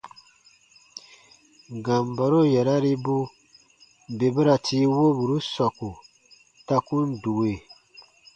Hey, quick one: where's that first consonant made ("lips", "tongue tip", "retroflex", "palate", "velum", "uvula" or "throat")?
velum